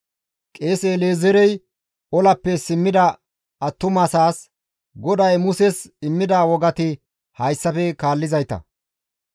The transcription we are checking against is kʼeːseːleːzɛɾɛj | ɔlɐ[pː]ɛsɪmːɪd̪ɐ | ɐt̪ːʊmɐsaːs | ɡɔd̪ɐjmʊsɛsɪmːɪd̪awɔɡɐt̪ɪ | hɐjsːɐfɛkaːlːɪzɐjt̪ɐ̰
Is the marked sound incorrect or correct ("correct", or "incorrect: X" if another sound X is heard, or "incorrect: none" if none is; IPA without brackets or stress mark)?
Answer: correct